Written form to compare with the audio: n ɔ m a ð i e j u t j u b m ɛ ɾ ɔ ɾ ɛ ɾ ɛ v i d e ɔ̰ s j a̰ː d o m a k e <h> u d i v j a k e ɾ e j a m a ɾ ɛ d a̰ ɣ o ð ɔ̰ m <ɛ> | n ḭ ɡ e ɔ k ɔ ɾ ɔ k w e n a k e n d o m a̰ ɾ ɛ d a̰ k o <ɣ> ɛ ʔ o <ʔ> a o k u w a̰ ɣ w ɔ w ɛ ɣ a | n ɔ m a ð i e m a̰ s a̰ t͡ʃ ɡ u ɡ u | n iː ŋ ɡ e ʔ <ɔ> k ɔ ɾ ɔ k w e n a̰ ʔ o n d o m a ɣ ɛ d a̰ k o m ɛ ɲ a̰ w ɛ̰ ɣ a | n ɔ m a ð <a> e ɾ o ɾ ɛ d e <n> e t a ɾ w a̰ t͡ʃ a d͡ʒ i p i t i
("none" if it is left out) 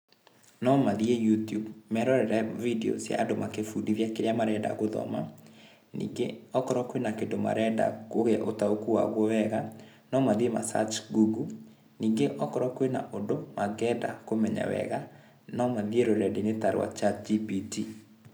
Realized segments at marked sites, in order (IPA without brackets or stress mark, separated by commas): f, a, ɣ, t, ɔ, i, n